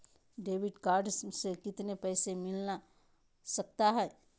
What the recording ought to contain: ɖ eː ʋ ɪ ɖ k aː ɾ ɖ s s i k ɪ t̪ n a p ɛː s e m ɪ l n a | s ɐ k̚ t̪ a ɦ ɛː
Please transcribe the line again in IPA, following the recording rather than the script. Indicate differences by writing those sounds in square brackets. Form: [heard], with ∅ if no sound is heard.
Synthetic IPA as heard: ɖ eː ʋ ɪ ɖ k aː ɾ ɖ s s [e] k ɪ t̪ n [e] p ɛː s e m ɪ l n a | s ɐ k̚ t̪ a ɦ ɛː